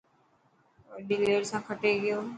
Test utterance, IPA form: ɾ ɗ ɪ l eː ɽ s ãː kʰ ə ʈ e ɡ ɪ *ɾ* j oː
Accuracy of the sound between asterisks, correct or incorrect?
incorrect